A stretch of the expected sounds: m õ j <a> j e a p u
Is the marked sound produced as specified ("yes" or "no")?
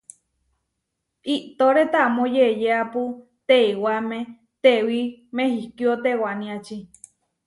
no